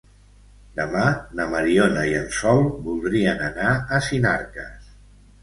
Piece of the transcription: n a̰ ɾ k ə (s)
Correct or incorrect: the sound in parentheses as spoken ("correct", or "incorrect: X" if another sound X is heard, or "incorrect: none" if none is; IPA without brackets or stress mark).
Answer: correct